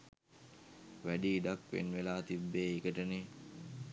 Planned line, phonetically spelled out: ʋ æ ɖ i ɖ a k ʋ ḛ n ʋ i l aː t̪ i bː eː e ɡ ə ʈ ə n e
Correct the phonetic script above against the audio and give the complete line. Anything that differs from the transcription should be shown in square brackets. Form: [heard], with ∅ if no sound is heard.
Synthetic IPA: ʋ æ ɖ [iː] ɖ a k ʋ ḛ n ʋ [e] l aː t̪ i bː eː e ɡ ə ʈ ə n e